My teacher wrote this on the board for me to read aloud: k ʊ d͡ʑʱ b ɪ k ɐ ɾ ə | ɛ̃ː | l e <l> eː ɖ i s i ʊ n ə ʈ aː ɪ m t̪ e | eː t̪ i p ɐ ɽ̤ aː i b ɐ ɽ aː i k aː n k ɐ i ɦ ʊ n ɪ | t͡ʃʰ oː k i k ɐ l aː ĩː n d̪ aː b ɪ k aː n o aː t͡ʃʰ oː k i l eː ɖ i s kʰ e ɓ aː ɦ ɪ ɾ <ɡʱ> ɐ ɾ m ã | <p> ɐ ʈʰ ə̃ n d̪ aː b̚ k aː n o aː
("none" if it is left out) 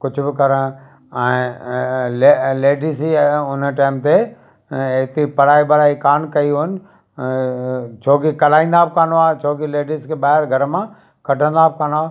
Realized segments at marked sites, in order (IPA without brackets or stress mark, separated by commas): l, ɡʱ, k